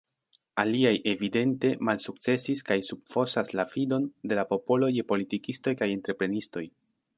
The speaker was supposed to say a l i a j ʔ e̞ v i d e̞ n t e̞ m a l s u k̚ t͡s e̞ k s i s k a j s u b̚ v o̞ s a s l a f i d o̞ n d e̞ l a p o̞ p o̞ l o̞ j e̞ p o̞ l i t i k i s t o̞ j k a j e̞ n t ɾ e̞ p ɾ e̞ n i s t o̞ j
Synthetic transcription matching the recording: a l i a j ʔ e̞ v i d e̞ n t e̞ m a l s u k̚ t͡s e̞ s i s k a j s u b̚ f o̞ s a s l a f i d o̞ n d e̞ l a p o̞ p o̞ l o̞ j e̞ p o̞ l i t i k i s t o̞ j k a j e̞ n t ɾ e̞ p ɾ e̞ n i s t o̞ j